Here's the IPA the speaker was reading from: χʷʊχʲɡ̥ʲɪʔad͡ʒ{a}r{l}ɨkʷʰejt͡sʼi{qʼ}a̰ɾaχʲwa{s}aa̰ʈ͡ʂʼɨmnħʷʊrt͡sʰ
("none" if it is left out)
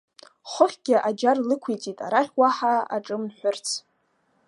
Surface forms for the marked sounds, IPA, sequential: a, l, tʼ, ħ

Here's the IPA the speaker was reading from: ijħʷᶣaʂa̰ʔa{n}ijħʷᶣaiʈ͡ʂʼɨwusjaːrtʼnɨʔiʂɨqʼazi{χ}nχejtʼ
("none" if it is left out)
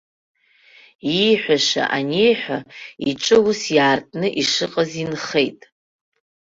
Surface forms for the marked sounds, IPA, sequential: n, none

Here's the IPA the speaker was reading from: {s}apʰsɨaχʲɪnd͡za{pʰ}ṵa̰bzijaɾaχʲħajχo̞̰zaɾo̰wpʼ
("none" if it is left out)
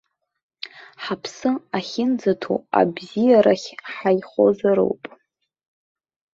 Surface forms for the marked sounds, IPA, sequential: ħ, tʰ

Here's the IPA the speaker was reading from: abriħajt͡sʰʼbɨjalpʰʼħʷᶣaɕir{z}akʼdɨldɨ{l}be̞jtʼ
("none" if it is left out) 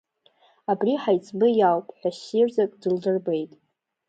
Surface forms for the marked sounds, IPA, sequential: z, r

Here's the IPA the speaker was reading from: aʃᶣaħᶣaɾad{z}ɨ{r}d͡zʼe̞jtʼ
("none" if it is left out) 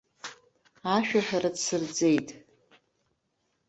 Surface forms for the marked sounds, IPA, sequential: s, r

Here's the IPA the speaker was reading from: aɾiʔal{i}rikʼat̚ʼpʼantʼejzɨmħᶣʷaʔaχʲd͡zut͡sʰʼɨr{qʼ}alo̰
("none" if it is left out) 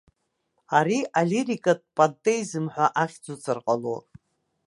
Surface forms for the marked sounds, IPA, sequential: i, qʼ

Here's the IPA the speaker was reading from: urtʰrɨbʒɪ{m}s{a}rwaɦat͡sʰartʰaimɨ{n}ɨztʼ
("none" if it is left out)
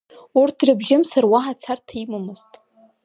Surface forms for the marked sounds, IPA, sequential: m, a, m

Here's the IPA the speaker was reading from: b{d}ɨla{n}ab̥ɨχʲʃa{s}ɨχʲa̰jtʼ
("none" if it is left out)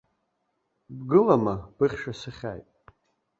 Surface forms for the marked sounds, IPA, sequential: ɡ, m, s

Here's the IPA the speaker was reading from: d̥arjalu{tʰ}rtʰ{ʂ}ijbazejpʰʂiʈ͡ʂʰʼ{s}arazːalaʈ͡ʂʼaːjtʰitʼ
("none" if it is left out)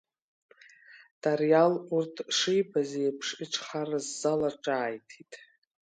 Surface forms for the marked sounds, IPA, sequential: none, ʂ, χ

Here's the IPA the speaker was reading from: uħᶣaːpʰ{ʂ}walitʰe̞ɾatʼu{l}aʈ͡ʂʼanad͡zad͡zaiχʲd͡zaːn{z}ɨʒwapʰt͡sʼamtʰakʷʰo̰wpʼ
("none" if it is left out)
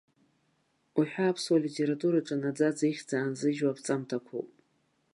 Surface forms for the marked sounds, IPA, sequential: s, ɾ, z

